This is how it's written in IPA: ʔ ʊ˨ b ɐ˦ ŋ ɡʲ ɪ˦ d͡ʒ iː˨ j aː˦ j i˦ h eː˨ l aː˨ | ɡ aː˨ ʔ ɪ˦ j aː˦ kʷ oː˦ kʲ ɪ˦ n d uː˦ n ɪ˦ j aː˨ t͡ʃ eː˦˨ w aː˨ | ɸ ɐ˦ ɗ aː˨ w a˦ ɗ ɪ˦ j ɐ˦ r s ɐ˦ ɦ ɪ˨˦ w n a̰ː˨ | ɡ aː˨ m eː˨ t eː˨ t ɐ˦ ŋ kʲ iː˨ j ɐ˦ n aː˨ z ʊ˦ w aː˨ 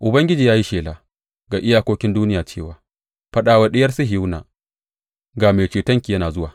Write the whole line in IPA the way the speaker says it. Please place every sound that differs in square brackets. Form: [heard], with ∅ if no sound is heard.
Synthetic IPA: ʔ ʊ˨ b ɐ˦ ŋ ɡʲ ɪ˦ d͡ʒ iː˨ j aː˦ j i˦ [ʃ] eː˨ l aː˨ | ɡ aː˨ ʔ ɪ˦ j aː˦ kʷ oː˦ kʲ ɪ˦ n d uː˦ n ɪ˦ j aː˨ t͡ʃ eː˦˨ w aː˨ | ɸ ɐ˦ ɗ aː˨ w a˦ ɗ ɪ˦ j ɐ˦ r s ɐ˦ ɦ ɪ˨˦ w n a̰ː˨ | ɡ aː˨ m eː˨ [t͡ʃ] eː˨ t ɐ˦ ŋ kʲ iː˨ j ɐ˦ n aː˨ z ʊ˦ w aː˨